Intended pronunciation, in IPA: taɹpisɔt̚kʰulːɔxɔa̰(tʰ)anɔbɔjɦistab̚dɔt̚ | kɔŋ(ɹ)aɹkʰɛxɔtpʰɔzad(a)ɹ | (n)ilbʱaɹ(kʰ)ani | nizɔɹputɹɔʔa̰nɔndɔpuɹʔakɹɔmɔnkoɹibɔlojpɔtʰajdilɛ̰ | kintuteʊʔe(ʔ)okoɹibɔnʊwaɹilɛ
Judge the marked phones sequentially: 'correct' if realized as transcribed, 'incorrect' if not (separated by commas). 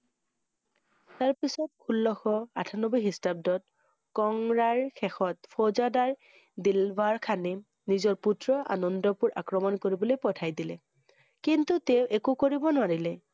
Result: correct, correct, correct, incorrect, correct, incorrect